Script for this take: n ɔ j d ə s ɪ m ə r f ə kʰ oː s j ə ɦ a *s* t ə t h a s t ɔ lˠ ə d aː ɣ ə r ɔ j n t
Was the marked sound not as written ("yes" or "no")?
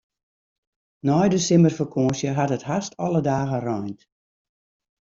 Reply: yes